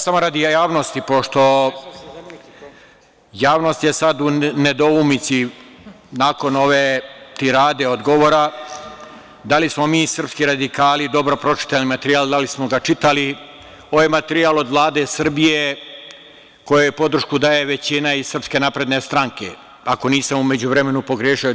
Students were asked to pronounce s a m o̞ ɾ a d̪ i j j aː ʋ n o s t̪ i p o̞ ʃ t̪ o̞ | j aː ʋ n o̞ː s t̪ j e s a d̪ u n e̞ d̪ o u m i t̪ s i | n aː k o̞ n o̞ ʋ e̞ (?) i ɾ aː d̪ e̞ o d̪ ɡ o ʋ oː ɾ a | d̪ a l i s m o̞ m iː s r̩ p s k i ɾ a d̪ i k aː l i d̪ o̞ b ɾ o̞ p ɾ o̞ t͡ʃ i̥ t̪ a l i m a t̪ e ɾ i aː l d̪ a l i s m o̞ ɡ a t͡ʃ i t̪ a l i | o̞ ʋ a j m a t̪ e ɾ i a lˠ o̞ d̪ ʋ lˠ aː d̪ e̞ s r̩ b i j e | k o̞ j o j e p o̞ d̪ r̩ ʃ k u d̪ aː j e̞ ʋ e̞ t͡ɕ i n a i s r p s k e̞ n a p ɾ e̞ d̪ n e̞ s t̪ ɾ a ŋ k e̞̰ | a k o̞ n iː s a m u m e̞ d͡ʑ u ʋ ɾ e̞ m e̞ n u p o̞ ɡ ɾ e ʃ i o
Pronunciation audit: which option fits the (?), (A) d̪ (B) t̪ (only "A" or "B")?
B